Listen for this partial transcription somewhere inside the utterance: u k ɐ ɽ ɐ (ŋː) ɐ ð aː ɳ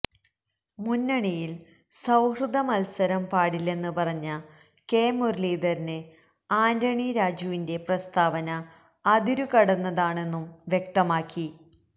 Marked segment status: incorrect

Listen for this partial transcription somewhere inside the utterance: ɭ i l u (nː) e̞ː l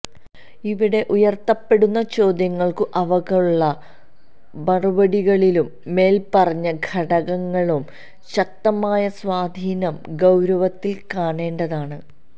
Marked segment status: incorrect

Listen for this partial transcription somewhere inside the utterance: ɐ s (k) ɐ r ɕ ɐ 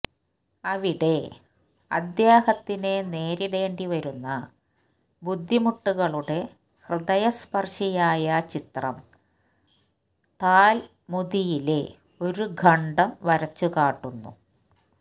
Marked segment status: incorrect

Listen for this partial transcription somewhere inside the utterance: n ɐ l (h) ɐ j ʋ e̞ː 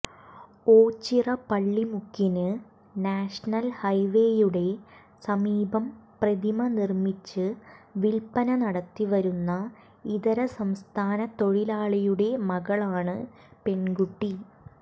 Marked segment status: correct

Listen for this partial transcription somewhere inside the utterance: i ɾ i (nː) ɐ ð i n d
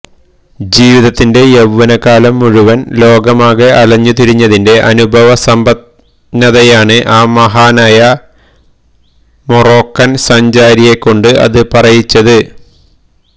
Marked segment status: incorrect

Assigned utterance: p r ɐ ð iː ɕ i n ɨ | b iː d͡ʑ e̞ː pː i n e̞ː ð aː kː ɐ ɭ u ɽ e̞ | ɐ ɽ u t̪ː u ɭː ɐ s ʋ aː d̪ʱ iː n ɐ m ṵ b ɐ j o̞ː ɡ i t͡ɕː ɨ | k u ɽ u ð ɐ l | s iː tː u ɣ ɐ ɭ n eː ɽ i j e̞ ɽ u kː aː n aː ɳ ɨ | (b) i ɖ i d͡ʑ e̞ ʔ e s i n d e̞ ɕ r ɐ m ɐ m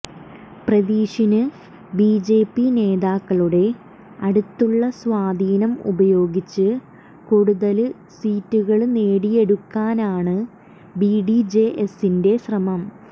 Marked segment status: correct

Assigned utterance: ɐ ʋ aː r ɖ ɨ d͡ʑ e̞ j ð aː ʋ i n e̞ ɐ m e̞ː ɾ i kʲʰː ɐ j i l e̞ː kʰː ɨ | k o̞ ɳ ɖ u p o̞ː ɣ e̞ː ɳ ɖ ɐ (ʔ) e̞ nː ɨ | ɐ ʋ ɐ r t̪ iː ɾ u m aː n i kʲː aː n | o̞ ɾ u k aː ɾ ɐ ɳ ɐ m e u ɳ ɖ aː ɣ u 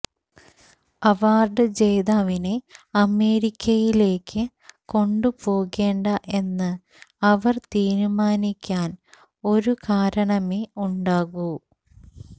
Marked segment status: correct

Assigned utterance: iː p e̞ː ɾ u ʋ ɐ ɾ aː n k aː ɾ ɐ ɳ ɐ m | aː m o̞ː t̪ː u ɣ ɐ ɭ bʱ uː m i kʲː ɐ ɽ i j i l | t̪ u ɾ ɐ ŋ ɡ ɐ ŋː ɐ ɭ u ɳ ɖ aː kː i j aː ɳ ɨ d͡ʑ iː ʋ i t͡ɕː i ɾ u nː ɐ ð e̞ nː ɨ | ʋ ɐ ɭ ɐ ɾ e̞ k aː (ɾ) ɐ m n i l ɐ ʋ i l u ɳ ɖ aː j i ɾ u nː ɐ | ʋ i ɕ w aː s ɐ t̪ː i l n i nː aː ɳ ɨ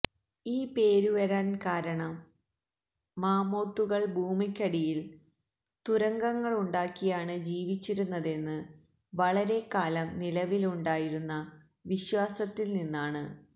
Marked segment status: incorrect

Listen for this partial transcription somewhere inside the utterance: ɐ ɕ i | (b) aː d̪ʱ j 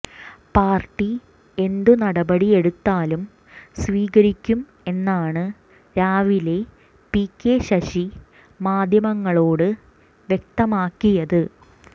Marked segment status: incorrect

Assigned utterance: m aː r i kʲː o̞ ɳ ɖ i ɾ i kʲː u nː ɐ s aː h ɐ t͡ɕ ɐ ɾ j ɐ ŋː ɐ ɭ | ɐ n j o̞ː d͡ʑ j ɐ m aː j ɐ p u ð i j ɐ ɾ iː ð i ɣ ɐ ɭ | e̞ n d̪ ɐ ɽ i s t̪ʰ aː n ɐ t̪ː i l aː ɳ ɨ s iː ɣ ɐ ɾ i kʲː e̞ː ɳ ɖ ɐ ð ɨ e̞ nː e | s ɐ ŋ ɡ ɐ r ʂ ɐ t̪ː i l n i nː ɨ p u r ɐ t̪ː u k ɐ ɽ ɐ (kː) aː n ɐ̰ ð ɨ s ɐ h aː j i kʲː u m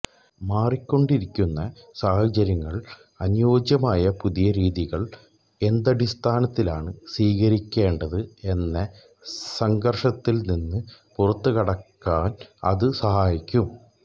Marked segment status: correct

